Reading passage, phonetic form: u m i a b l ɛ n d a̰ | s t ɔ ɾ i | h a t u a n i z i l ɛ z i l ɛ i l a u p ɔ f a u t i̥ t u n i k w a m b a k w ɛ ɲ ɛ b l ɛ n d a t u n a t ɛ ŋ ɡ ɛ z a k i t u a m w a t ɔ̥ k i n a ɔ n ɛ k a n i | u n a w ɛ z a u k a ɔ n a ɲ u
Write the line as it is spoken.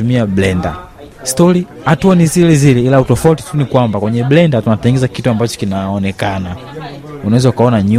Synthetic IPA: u m i a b l ɛ n d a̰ | s t ɔ ɾ i | h a t u a n i z i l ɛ z i l ɛ i l a u t ɔ f a u t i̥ t u n i k w a m b a k w ɛ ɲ ɛ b l ɛ n d a t u n a t ɛ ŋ ɡ ɛ z a k i t u a m b a t͡ʃ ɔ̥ k i n a ɔ n ɛ k a n a | u n a w ɛ z a u k a ɔ n a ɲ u